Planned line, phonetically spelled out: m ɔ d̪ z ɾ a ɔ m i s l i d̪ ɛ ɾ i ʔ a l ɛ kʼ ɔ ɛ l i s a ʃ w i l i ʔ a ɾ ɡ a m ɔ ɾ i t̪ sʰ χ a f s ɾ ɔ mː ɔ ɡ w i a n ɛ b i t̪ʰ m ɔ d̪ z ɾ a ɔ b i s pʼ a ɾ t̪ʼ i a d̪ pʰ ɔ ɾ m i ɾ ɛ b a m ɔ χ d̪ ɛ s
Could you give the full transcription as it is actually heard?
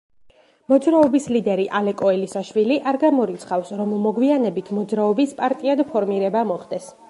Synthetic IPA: m ɔ d̪ z ɾ a ɔ b i s l i d̪ ɛ ɾ i ʔ a l ɛ kʼ ɔ ɛ l i s a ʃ w i l i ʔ a ɾ ɡ a m ɔ ɾ i t̪ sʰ χ a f s ɾ ɔ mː ɔ ɡ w i a n ɛ b i t̪ʰ m ɔ d̪ z ɾ a ɔ b i s pʼ a ɾ t̪ʼ i a d̪ pʰ ɔ ɾ m i ɾ ɛ b a m ɔ χ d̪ ɛ s